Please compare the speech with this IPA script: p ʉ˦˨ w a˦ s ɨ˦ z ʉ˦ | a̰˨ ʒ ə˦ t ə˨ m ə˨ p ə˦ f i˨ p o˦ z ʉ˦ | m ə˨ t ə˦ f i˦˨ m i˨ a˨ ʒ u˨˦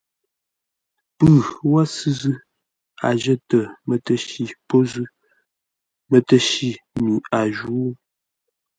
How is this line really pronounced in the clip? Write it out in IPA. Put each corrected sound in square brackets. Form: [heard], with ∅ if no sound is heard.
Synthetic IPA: p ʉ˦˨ w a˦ s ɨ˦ z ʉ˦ | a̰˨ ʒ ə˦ t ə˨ m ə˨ [t] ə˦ [ʃ] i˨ p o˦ z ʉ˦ | m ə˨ t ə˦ [ʃ] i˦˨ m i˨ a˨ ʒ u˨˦

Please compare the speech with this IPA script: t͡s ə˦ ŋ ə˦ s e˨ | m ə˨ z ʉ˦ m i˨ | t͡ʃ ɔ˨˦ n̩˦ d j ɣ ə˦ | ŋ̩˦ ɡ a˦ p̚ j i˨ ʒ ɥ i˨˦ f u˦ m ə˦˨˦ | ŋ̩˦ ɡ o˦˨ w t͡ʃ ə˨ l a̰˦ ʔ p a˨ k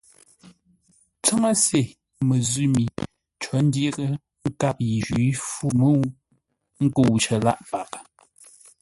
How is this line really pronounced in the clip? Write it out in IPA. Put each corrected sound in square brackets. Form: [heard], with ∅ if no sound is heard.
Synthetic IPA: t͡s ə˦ ŋ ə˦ s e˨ | m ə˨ z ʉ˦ m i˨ | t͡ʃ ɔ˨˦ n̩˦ d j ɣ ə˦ | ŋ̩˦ [k] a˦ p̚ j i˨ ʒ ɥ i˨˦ f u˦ m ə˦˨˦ | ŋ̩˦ [k] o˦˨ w t͡ʃ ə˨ l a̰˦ ʔ p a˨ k

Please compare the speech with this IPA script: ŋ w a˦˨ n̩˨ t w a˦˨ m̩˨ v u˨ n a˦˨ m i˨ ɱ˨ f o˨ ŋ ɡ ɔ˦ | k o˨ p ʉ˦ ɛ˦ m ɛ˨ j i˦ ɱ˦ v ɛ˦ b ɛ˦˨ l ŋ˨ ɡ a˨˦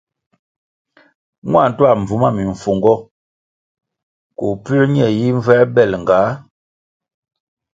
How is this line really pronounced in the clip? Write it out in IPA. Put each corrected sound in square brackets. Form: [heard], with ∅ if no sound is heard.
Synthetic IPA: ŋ w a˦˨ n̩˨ t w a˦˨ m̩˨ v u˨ [m] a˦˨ m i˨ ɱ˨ f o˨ ŋ ɡ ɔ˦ | k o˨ p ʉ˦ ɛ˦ [ɲ] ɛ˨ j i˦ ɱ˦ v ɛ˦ b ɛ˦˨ l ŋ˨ ɡ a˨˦

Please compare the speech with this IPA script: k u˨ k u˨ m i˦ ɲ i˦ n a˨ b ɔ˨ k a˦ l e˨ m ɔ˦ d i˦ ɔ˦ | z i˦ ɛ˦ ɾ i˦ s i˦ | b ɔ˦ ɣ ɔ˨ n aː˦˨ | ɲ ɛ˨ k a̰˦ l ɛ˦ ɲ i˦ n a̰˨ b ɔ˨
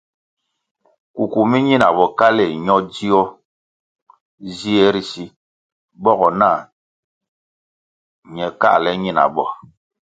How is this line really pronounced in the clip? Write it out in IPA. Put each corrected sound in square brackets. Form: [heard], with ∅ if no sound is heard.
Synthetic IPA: k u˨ k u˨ m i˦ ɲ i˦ n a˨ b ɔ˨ k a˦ l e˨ [ɲ] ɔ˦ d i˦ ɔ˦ | z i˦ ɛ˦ ɾ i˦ s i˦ | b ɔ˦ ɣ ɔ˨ n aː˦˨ | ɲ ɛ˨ k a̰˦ l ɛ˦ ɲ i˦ n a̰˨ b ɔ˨

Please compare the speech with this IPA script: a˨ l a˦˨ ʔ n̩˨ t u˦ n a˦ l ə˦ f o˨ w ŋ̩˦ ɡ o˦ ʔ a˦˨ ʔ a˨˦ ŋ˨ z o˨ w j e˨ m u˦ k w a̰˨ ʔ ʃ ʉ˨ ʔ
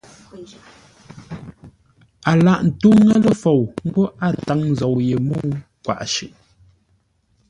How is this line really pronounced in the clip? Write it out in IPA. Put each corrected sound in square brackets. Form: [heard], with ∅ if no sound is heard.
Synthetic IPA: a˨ l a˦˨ ʔ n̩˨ t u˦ [ŋ] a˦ l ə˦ f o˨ w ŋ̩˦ ɡ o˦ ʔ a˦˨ [t] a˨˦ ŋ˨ z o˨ w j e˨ m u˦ k w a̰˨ ʔ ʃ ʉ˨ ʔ

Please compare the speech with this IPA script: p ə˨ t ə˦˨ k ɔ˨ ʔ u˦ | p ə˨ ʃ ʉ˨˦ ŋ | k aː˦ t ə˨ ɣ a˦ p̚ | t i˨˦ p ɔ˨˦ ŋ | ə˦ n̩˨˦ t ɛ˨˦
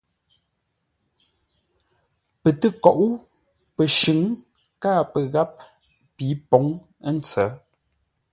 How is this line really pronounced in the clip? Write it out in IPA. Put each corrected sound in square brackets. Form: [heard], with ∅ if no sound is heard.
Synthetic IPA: p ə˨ t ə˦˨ k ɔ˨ ʔ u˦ | p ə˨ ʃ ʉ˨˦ ŋ | k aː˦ [p] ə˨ ɣ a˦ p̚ | [p] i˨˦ p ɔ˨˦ ŋ | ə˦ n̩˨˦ [t͡s] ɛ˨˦

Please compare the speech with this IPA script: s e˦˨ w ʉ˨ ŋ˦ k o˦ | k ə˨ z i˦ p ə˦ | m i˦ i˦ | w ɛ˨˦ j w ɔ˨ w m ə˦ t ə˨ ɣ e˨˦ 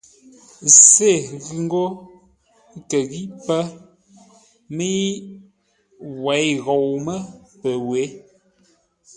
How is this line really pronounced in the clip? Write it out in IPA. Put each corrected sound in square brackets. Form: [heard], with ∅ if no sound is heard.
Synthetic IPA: s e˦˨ [ɣ] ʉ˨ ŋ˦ [ɡ] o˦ | k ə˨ [ɣ] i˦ p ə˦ | m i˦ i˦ | w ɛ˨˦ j [ɣ] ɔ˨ w m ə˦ [p] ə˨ [w] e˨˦

